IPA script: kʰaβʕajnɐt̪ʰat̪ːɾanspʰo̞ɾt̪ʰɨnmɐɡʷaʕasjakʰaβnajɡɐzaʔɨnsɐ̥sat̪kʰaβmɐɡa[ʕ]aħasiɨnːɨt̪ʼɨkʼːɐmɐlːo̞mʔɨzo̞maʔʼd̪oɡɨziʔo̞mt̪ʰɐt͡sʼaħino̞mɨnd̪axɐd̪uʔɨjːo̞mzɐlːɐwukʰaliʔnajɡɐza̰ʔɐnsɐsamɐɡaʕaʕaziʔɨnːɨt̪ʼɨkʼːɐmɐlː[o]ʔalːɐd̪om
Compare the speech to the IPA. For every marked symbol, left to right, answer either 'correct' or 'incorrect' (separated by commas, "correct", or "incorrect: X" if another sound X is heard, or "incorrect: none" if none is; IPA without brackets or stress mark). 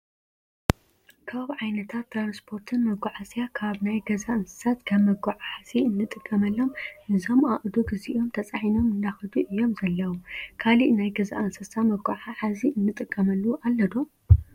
correct, incorrect: u